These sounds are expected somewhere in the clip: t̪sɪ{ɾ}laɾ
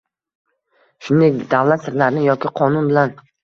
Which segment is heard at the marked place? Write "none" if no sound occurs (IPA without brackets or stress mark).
ɾ